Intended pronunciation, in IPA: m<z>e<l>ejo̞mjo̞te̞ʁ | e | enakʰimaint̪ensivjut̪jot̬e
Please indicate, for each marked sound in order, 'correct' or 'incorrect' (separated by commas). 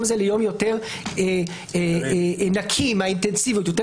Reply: correct, correct